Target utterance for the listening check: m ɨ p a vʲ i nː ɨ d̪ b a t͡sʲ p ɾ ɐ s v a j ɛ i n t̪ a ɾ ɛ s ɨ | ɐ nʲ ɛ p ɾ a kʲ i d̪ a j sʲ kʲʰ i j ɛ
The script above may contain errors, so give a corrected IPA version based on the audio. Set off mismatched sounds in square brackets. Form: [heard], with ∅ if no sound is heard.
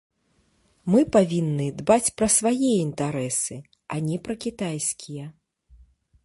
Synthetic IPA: m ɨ p a vʲ i nː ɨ d̪ b a t͡sʲ p ɾ ɐ s v a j ɛ i n t̪ a ɾ ɛ s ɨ | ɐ nʲ ɛ p ɾ [ɐ] kʲ i [t̪] a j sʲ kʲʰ i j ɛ